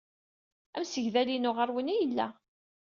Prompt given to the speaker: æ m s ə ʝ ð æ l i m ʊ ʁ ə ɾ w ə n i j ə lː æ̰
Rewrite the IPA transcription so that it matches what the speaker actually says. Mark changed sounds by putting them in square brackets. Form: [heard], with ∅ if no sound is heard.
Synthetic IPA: æ m s ə ʝ ð æ l i [n] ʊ ʁ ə ɾ w ə n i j ə lː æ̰